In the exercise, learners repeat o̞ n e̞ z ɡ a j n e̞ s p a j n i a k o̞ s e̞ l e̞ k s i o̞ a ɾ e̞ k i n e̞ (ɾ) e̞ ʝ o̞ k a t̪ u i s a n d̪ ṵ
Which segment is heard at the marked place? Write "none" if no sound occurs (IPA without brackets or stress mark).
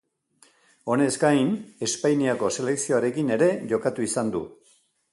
ɾ